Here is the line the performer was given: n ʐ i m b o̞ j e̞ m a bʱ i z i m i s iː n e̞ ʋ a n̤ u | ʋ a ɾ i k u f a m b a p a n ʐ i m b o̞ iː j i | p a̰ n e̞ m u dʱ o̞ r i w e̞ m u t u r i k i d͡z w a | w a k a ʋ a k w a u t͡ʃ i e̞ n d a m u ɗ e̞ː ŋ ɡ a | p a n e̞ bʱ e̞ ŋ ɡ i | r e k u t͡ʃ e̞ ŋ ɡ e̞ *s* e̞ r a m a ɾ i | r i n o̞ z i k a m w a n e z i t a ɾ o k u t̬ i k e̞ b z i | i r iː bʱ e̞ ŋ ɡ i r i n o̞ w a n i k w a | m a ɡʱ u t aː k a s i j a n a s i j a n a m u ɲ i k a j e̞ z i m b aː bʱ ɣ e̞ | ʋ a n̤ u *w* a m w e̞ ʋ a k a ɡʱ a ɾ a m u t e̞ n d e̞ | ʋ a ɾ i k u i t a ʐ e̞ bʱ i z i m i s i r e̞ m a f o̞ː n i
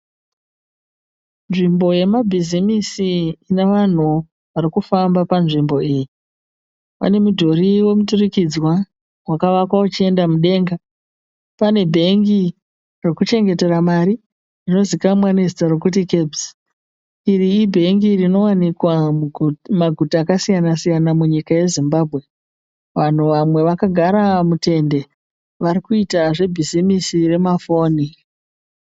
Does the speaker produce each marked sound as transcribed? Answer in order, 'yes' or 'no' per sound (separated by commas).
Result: no, no